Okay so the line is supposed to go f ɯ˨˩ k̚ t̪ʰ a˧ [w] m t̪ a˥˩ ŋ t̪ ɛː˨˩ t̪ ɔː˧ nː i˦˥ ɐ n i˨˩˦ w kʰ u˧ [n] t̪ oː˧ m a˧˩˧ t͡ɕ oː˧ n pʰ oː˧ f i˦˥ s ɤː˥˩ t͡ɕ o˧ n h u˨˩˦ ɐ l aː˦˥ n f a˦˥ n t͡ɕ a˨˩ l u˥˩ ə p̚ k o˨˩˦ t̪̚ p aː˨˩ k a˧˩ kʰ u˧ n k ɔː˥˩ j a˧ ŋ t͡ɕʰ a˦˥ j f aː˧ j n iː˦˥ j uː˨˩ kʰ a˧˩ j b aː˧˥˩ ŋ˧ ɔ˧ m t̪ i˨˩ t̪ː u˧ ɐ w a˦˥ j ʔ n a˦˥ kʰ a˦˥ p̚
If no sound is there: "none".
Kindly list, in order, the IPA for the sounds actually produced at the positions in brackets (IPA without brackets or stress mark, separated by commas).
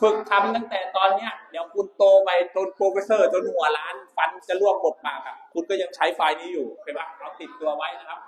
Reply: none, n